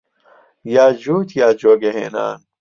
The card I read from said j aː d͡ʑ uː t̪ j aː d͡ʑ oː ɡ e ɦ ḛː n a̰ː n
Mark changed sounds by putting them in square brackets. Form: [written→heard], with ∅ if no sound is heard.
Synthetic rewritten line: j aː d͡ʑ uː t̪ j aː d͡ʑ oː ɡ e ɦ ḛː n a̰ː n